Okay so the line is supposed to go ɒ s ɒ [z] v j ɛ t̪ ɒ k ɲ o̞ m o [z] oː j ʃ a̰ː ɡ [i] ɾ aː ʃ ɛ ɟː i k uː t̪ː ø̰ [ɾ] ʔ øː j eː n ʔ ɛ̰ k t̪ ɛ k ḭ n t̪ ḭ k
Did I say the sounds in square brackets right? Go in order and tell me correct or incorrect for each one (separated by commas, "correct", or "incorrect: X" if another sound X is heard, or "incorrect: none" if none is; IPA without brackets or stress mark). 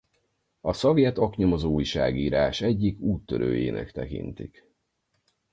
incorrect: none, correct, incorrect: iː, correct